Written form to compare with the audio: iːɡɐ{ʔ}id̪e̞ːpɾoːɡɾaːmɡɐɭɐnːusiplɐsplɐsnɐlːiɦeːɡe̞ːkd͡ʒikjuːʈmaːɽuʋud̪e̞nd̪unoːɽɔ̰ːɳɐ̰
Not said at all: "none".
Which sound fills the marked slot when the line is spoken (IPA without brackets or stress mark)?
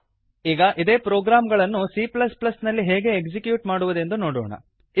ʔ